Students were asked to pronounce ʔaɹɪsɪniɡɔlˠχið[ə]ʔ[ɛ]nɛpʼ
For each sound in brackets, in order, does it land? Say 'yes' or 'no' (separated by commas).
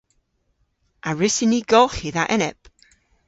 no, yes